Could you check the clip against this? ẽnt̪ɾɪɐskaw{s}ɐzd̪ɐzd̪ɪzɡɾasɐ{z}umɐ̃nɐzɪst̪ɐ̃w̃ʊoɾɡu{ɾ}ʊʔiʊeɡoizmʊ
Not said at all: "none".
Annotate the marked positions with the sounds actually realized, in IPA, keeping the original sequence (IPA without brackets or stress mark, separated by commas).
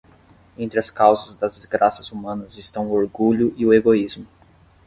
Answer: z, z, ʎ